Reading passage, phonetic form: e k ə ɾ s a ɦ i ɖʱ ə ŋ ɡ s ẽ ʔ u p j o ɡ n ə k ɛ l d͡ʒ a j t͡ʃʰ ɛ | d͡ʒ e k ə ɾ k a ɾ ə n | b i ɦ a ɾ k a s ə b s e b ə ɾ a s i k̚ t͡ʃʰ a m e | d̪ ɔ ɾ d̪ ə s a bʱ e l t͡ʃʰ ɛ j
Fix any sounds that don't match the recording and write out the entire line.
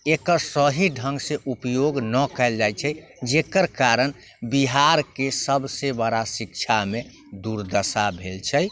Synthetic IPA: e k ə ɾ s ə ɦ i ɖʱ ə ŋ ɡ s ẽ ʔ u p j o ɡ n ə k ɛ l d͡ʒ a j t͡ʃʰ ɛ | d͡ʒ e k ə ɾ k a ɾ ə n | b i ɦ a ɾ k e s ə b s e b ə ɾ a s i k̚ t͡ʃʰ a m e | d̪ u ɾ d̪ ə s a bʱ e l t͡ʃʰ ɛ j

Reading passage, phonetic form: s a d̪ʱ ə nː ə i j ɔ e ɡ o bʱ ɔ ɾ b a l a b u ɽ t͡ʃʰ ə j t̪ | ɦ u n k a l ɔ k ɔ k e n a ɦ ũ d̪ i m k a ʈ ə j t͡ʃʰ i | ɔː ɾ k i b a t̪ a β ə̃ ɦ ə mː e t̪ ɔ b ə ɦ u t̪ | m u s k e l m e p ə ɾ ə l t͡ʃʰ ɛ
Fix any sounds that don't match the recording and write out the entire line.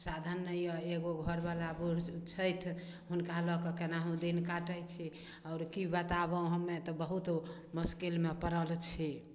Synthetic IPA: s a d̪ʱ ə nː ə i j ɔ e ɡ o ɡʱ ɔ ɾ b a l a b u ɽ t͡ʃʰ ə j t̪ʰ | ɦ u n k a l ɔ k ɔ k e n a ɦ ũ d̪ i n k a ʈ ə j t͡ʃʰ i | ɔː ɾ k i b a t̪ a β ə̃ ɦ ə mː e t̪ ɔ b ə ɦ u t̪ | m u s k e l m e p ə ɾ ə l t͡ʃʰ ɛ

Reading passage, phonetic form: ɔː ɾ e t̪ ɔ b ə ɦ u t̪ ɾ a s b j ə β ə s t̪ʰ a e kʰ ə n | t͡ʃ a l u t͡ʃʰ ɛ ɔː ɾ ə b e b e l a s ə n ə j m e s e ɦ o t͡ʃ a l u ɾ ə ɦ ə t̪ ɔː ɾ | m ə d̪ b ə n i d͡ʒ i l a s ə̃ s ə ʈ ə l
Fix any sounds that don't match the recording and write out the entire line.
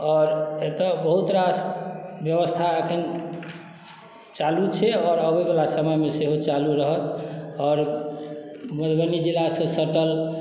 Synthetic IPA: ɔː ɾ e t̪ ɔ b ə ɦ u t̪ ɾ a s b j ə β ə s t̪ʰ a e kʰ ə n | t͡ʃ a l u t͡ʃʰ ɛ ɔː ɾ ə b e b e l a s ə m ə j m e s e ɦ o t͡ʃ a l u ɾ ə ɦ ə t̪ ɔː ɾ | m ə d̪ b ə n i d͡ʒ i l a s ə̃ s ə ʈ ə l

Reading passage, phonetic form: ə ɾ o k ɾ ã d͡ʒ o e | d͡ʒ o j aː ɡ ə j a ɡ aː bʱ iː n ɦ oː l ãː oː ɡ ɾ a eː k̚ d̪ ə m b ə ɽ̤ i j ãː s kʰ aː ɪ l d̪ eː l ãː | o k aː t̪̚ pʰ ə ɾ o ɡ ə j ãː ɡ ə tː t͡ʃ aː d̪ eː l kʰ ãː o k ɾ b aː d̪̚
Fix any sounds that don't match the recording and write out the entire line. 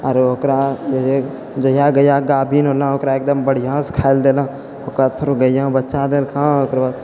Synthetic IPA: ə ɾ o k ɾ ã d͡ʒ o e | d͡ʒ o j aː ɡ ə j a ɡ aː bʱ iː n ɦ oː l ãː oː k ɾ a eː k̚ d̪ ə m b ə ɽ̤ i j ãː s kʰ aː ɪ l d̪ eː l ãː | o k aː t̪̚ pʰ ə ɾ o ɡ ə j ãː b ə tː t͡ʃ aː d̪ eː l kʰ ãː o k ɾ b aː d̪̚

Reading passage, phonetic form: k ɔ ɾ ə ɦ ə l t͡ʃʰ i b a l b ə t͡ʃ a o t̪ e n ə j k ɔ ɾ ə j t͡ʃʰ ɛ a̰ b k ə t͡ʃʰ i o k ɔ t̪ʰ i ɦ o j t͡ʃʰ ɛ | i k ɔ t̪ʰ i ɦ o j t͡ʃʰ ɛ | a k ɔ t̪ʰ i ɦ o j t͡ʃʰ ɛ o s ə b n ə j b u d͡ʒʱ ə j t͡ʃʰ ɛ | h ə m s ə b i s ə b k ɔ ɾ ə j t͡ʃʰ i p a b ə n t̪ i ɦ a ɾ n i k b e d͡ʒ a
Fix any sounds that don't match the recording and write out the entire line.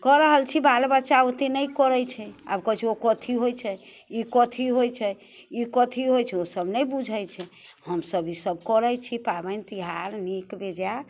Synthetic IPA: k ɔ ɾ ə ɦ ə l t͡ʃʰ i b a l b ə t͡ʃ a o t̪ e n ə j k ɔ ɾ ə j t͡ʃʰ ɛ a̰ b k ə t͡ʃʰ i o k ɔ t̪ʰ i ɦ o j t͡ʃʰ ɛ | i k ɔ t̪ʰ i ɦ o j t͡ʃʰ ɛ | i k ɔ t̪ʰ i ɦ o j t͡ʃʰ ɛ o s ə b n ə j b u d͡ʒʱ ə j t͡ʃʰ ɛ | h ə m s ə b i s ə b k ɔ ɾ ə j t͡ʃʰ i p a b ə n t̪ i ɦ a ɾ n i k b e d͡ʒ a

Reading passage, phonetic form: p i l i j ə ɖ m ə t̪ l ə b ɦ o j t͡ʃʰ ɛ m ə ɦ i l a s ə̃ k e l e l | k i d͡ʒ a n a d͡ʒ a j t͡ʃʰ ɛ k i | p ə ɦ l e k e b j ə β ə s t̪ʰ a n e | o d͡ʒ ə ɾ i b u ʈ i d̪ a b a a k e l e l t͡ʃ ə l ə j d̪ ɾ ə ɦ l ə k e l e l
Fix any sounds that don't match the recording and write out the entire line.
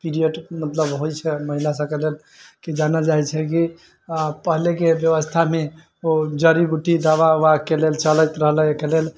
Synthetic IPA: p i ɾ i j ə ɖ m ə t̪ l ə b ɦ o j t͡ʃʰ ɛ m ə ɦ i l a s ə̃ k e l e l | k i d͡ʒ a n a d͡ʒ a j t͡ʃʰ ɛ k i | p ə ɦ l e k e b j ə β ə s t̪ʰ a m e | o d͡ʒ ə ɾ i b u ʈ i d̪ a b a a k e l e l t͡ʃ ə l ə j t̪ ɾ ə ɦ l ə k e l e l

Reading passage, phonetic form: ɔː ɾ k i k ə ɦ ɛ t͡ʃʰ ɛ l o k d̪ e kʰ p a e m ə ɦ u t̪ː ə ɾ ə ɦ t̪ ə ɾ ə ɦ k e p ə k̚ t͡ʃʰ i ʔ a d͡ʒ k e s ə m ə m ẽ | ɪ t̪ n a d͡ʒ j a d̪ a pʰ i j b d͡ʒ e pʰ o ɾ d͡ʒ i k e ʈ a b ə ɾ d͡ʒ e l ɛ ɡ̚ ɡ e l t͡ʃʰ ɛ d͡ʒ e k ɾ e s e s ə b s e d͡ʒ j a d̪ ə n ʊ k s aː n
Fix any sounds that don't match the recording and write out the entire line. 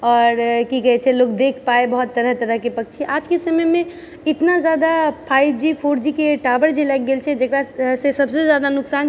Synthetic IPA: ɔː ɾ k i k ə ɦ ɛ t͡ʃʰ ɛ l o k d̪ e kʰ p a e b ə ɦ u t̪ː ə ɾ ə ɦ t̪ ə ɾ ə ɦ k e p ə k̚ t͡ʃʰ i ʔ a d͡ʒ k e s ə m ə m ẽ | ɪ t̪ n a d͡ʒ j a d̪ a pʰ a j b d͡ʒ i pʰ o ɾ d͡ʒ i k e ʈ a b ə ɾ d͡ʒ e l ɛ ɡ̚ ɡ e l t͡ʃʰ ɛ d͡ʒ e k ɾ a s e s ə b s e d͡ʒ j a d̪ a n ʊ k s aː n

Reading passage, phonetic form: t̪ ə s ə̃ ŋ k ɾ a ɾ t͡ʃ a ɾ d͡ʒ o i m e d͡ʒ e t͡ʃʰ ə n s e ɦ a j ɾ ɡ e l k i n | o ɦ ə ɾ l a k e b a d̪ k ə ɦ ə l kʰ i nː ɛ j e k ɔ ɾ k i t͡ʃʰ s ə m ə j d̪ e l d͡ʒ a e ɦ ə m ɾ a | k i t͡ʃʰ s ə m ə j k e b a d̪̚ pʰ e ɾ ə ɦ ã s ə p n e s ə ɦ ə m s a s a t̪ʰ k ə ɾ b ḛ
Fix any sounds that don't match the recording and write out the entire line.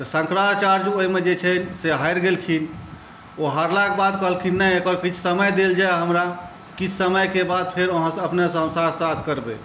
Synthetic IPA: t̪ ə s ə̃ ŋ k ɾ a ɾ t͡ʃ a ɾ d͡ʒ o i m e d͡ʒ e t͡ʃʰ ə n s e ɦ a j ɾ ɡ e l kʰ i n | o ɦ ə ɾ l a k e b a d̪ k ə ɦ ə l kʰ i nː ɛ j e k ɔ ɾ k i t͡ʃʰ s ə m ə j d̪ e l d͡ʒ a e ɦ ə m ɾ a | k i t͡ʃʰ s ə m ə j k e b a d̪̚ pʰ e ɾ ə ɦ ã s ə p n e s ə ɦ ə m s a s a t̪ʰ k ə ɾ b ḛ

